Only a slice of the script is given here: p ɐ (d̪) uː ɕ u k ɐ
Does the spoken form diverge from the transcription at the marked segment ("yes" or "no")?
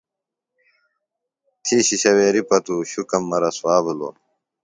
yes